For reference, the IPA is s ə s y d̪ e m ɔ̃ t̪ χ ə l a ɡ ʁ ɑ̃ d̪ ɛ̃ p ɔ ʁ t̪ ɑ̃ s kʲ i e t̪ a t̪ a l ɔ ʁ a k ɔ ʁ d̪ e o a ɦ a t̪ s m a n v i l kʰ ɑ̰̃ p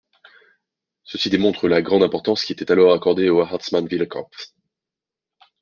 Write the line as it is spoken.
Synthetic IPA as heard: s ə s i d̪ e m ɔ̃ t̪ χ ə l a ɡ ʁ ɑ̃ d̪ ɛ̃ p ɔ ʁ t̪ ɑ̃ s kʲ i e t̪ ɛ t̪ a l ɔ ʁ a k ɔ ʁ d̪ e o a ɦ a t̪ s m a n v i l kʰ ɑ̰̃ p